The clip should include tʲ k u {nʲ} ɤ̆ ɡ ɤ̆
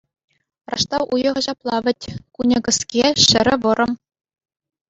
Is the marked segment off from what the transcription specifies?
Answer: no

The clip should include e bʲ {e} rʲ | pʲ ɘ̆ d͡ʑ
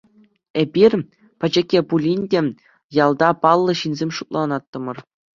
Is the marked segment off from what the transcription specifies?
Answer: yes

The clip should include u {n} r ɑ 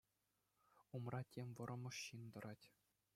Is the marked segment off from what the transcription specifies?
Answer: yes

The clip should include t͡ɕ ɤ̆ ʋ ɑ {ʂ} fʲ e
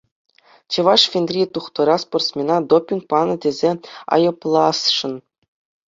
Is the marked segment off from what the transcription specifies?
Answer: no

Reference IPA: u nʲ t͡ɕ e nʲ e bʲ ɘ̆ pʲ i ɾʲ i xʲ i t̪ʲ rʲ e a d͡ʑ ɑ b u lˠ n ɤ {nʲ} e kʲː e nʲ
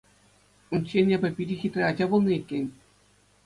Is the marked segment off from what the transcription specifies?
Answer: yes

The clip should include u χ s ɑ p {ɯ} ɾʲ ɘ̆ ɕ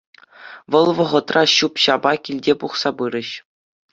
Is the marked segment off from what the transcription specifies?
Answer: no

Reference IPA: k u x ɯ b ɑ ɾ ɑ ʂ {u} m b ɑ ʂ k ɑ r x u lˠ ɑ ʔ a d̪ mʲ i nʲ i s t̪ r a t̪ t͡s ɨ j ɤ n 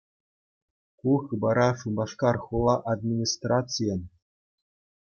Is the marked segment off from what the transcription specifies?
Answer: no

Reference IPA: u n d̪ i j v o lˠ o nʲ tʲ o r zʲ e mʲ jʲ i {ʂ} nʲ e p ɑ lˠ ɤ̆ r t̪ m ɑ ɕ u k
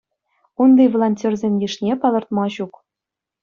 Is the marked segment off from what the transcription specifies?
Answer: no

